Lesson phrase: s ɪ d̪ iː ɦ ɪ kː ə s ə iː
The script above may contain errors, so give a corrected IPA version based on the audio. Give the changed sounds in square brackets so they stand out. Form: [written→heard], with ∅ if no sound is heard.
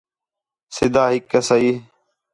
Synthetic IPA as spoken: s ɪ d̪ [iː→aː] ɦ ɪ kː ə s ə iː